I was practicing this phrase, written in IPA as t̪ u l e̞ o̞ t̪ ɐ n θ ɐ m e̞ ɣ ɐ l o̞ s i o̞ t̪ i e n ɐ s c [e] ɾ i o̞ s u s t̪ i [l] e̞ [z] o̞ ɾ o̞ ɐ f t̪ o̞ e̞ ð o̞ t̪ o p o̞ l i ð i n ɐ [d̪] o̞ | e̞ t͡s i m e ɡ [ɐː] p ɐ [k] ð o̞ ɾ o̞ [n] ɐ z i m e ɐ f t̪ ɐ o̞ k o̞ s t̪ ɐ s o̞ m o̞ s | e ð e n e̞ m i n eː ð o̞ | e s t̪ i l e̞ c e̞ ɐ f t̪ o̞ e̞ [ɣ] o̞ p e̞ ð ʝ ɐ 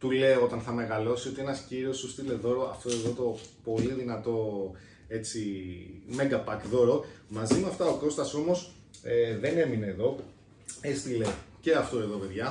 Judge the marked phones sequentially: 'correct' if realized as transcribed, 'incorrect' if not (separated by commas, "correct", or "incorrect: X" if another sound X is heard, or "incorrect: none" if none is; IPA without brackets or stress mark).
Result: incorrect: i, correct, incorrect: ð, incorrect: t̪, incorrect: ɐ, correct, incorrect: m, incorrect: ð